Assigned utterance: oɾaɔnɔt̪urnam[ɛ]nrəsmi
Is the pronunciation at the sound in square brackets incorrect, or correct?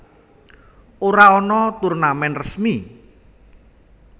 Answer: correct